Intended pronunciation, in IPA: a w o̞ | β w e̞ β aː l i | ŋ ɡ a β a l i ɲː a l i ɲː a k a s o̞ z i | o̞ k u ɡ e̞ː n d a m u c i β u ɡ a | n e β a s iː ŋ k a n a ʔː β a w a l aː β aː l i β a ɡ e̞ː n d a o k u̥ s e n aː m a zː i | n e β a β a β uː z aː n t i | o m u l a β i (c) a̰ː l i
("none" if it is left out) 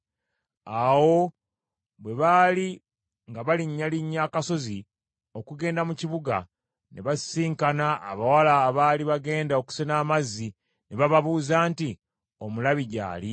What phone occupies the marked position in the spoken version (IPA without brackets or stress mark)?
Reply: ɟ